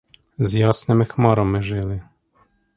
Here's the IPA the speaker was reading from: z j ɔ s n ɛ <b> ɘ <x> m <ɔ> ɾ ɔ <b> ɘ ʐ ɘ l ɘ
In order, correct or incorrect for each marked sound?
incorrect: m, correct, correct, incorrect: m

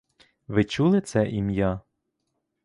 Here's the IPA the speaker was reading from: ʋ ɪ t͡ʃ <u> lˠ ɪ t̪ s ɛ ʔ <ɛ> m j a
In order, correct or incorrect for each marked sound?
correct, incorrect: i

